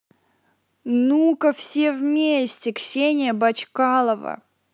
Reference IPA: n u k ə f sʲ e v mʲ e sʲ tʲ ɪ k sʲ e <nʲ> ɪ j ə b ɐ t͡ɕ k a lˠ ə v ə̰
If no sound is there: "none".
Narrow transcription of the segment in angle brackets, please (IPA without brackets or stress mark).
nʲ